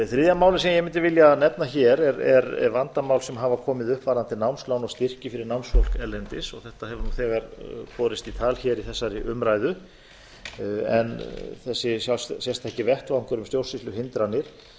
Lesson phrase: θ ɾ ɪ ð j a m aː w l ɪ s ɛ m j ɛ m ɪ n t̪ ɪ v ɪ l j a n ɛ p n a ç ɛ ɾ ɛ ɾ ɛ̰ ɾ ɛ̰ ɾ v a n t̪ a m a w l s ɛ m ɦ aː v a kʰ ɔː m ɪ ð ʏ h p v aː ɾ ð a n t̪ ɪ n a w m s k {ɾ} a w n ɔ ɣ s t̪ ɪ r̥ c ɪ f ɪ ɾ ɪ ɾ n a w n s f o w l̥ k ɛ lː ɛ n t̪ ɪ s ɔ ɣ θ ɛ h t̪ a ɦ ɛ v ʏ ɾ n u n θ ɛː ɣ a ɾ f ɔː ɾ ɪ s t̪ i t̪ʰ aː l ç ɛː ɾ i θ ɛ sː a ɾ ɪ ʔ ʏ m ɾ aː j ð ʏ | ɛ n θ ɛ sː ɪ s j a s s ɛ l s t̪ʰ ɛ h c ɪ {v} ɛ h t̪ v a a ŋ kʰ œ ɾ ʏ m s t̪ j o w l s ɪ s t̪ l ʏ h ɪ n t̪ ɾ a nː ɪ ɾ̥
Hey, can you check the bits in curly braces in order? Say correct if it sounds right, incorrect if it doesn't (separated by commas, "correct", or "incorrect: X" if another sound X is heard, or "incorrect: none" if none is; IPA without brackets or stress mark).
incorrect: l, correct